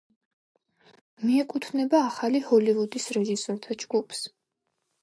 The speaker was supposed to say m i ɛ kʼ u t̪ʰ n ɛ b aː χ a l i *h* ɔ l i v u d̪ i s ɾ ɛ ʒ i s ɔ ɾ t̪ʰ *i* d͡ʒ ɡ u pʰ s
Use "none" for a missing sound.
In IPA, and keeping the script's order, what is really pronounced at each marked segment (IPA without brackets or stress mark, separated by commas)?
h, a